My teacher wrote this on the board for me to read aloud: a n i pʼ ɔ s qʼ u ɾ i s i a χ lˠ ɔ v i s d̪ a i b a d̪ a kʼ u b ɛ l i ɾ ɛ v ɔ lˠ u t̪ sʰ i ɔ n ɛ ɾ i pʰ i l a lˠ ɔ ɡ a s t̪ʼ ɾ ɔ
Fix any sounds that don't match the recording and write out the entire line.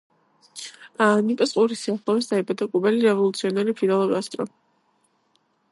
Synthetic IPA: a n i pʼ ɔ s qʼ u ɾ i s i a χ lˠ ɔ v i s d̪ a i b a d̪ a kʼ u b ɛ l i ɾ ɛ v ɔ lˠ u t̪ sʰ i ɔ n ɛ ɾ i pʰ i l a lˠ ɔ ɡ a s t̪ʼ ɾ ɔ